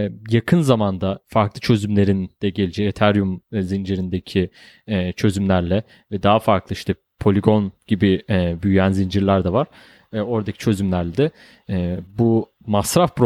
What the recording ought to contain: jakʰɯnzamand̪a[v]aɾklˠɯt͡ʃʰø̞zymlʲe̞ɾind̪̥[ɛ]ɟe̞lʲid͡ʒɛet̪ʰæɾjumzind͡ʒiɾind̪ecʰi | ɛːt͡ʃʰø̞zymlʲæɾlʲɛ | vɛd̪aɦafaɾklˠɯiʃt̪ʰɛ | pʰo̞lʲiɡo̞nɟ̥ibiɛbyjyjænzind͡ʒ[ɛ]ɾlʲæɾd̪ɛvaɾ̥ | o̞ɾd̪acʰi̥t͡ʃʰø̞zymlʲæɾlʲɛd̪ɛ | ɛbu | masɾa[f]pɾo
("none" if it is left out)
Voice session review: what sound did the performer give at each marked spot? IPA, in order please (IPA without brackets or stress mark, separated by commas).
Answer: f, ɛ, i, f